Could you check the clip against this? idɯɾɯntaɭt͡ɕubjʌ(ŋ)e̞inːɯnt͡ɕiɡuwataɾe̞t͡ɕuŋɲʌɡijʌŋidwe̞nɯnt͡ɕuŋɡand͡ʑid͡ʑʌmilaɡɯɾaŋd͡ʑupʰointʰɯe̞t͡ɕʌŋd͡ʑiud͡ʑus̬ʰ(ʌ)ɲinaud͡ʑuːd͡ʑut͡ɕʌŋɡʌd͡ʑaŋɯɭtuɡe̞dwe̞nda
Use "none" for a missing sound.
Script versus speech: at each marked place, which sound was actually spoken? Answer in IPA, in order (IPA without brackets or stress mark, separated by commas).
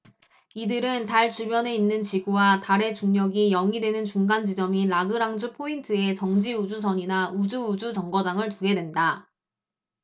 n, ʌ